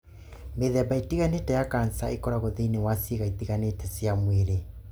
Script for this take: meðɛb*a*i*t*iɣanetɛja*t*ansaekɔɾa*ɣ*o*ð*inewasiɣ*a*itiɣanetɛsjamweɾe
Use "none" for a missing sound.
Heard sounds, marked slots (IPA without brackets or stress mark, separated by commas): a, t, k, ɣ, ð, a